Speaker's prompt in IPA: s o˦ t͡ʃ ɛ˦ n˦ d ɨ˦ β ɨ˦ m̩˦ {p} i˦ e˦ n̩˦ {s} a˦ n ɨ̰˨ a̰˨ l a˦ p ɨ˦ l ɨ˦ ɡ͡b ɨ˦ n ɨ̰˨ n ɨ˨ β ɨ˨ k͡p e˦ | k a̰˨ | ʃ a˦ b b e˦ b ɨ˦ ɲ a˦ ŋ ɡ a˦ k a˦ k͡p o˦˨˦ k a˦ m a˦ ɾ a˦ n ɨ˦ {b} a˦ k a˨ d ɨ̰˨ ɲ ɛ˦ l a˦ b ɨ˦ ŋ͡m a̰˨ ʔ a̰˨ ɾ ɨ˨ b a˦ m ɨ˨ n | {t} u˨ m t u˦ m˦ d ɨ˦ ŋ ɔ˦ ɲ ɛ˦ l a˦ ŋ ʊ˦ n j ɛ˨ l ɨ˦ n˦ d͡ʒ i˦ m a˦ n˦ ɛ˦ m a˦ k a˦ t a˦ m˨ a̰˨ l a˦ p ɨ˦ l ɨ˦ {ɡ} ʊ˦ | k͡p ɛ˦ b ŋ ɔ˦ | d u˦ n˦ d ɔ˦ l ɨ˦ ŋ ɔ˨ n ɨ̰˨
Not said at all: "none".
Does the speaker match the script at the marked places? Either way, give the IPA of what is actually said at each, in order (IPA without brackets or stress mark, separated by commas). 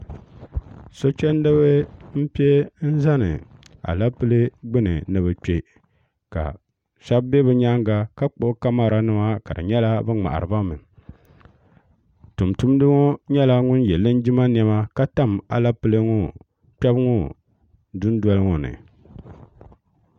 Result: p, z, m, t, ŋ